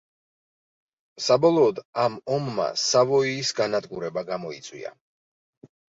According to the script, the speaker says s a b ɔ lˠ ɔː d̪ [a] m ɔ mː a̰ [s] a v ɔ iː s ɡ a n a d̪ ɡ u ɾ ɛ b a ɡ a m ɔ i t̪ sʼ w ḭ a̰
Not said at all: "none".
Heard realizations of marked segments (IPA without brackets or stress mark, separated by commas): a, s